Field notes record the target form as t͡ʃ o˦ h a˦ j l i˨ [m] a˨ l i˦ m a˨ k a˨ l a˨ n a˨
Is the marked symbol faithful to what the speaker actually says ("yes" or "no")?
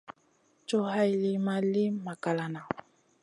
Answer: yes